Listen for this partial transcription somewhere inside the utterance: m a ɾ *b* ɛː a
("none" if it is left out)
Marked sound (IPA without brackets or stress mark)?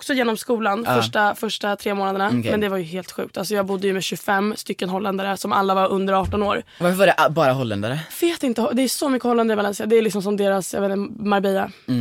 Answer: b